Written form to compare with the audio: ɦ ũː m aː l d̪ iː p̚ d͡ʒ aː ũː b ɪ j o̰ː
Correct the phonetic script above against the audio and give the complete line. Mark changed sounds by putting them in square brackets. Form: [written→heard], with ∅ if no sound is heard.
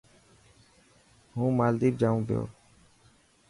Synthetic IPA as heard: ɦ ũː m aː l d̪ iː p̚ d͡ʒ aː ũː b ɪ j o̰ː